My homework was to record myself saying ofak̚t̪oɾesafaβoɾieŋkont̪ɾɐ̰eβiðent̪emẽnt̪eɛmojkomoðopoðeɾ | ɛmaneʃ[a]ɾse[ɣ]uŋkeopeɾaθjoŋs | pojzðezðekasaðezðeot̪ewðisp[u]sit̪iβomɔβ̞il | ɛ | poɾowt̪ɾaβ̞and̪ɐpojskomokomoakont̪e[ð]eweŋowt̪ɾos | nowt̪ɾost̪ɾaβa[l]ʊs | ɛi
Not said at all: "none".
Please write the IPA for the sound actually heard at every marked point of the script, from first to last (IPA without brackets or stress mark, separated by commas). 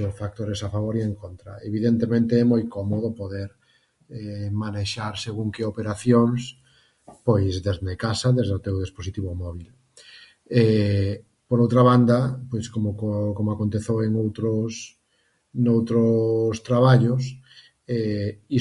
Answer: a, ɣ, o, θ, ʎ